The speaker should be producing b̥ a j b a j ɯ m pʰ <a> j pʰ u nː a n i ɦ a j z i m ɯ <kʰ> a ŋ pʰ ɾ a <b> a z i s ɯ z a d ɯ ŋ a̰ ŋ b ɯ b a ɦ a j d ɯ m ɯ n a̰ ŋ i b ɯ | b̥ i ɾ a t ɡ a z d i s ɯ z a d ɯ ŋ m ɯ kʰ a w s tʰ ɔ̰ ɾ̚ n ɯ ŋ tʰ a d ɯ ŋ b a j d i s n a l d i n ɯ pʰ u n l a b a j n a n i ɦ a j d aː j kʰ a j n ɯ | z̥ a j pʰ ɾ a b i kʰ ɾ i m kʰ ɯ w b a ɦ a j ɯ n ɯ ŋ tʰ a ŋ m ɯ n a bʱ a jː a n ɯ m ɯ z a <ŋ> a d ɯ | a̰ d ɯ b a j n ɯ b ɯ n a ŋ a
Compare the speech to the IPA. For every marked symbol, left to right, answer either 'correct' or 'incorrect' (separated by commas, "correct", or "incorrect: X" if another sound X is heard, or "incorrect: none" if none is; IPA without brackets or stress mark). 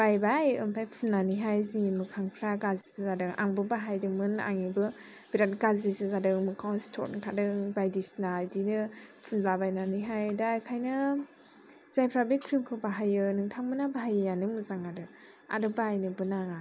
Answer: correct, correct, incorrect: ɡ, correct